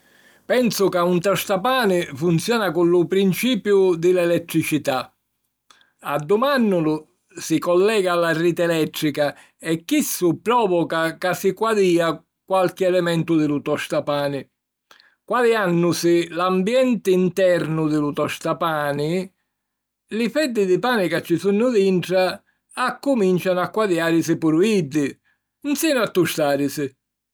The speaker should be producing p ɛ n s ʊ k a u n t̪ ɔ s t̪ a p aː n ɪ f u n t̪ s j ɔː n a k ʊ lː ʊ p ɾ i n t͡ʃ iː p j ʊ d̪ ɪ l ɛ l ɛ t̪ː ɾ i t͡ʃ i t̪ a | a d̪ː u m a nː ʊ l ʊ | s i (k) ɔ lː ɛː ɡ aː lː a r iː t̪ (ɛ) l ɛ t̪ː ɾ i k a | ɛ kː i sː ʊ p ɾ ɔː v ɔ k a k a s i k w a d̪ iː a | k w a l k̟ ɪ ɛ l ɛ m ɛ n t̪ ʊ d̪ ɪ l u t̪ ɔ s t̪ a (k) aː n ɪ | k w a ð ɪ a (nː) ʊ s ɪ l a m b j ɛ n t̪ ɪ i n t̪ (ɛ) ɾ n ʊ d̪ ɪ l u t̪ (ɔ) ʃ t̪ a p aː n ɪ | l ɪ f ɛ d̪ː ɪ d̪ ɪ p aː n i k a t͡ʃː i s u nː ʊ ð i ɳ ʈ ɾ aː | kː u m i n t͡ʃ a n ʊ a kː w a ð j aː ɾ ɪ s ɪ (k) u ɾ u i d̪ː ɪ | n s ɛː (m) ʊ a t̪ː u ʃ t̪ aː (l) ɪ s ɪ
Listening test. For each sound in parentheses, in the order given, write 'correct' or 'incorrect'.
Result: correct, correct, incorrect: p, correct, correct, correct, incorrect: p, incorrect: n, incorrect: ɾ

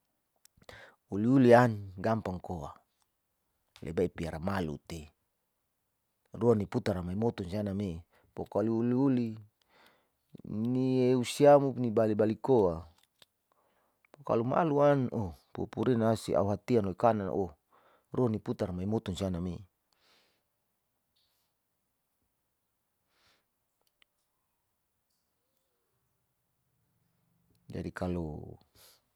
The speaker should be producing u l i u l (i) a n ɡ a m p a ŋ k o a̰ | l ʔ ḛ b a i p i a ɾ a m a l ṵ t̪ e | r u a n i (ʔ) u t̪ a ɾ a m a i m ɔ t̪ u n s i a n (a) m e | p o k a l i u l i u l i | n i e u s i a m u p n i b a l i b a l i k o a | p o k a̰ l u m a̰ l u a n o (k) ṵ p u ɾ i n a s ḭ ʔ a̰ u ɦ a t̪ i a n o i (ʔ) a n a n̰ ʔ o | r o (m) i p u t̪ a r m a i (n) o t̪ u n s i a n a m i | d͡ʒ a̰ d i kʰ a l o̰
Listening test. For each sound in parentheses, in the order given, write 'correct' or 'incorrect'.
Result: correct, incorrect: p, correct, incorrect: p, incorrect: k, incorrect: n, incorrect: m

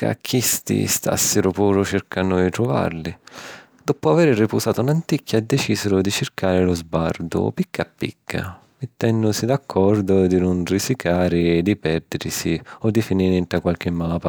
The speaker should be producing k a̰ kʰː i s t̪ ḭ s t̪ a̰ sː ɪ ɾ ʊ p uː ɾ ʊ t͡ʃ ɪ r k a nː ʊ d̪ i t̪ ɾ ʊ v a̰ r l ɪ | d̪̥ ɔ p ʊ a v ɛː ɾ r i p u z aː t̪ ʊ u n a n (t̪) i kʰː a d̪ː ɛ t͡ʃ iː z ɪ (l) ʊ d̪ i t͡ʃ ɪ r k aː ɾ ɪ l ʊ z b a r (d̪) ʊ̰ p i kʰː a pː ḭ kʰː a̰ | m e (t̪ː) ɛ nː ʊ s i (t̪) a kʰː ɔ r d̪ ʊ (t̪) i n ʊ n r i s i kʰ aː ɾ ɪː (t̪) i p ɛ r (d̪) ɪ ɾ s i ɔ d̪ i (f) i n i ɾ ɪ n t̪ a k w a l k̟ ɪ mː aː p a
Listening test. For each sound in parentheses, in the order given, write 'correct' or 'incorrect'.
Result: correct, incorrect: ɾ, correct, correct, incorrect: d̪, incorrect: d̪, incorrect: d̪, correct, correct

